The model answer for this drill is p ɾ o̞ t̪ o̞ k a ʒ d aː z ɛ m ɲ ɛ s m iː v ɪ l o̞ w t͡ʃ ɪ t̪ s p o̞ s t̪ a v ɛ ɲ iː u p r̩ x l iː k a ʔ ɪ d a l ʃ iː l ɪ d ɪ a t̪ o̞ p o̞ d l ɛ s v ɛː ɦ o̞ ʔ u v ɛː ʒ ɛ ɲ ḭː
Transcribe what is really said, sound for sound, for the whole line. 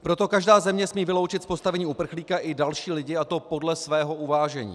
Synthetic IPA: p ɾ o̞ t̪ o̞ k a ʒ d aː z ɛ m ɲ ɛ s m iː v ɪ l o̞ w t͡ʃ ɪ t̪ s p o̞ s t̪ a v ɛ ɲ iː u p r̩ x l iː k a ʔ ɪ d a l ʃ iː l ɪ ɟ ɪ a t̪ o̞ p o̞ d l ɛ s v ɛː ɦ o̞ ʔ u v aː ʒ ɛ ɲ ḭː